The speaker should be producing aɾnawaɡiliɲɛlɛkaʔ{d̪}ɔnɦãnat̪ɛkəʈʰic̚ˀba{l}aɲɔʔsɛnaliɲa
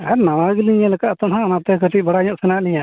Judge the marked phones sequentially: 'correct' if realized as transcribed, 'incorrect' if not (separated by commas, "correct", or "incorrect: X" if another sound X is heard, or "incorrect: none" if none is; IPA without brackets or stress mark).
incorrect: t̪, incorrect: ɽ